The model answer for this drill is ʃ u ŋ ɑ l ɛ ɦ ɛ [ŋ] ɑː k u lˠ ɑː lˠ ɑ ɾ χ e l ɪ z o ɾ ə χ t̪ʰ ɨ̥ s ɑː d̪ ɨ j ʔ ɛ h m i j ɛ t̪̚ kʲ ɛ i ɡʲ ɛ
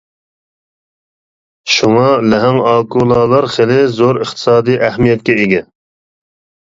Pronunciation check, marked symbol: correct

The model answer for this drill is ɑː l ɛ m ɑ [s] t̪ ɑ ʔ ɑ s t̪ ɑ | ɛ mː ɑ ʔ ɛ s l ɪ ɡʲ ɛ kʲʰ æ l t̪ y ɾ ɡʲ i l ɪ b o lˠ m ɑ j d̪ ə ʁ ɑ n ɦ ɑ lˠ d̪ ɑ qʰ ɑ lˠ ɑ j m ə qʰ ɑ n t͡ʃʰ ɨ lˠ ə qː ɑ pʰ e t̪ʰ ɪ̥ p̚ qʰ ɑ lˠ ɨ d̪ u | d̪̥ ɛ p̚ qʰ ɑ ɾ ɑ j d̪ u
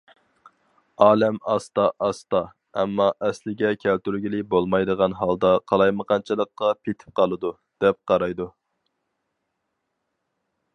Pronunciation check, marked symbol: correct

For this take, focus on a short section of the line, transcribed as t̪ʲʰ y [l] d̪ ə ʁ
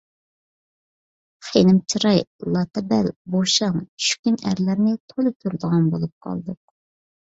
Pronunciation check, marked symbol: incorrect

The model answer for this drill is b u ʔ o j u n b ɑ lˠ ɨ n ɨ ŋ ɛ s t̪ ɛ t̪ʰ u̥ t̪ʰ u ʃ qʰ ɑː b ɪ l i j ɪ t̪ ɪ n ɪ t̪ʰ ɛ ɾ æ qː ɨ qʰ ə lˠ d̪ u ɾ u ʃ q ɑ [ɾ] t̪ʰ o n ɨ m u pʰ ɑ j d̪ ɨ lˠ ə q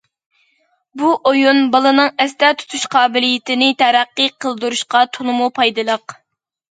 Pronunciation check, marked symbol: incorrect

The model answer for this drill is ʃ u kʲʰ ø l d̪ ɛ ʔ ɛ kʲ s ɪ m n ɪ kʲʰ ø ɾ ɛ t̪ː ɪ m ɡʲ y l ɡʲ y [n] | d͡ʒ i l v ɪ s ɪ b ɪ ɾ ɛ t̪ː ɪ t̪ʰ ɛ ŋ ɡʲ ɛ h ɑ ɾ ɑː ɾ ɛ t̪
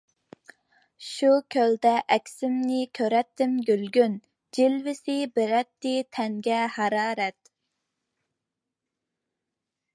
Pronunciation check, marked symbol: correct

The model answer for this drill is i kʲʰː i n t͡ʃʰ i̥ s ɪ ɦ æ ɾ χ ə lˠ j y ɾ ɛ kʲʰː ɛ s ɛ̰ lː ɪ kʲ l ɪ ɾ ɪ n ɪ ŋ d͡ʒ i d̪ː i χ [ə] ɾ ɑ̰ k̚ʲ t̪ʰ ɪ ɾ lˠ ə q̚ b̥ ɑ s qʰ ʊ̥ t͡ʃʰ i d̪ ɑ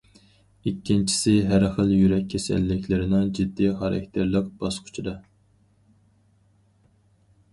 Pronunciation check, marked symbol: incorrect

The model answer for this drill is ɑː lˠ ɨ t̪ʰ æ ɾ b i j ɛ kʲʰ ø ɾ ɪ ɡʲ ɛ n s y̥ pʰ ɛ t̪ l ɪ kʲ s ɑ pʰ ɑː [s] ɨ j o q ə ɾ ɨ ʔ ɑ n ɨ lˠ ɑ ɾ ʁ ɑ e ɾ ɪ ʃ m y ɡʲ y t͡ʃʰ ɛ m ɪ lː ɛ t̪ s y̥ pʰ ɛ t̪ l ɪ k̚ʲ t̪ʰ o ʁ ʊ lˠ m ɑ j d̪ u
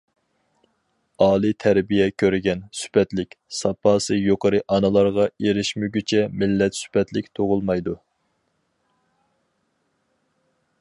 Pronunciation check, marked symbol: correct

